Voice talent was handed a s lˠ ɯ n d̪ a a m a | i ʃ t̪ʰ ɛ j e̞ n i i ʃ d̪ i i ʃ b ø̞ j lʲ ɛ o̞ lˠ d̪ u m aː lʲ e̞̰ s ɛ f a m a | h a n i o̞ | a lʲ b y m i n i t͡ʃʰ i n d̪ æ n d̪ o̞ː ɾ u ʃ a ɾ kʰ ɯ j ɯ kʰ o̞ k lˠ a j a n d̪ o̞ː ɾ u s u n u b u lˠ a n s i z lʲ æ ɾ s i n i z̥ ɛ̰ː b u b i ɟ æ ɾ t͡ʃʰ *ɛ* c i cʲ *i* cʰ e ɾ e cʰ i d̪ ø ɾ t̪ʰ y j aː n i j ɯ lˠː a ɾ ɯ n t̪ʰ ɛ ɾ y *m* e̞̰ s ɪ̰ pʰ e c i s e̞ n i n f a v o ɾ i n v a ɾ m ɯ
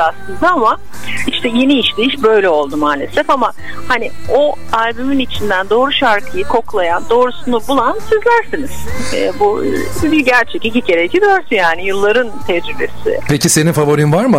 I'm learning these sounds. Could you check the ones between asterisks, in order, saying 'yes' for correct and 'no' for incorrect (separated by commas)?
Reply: yes, yes, no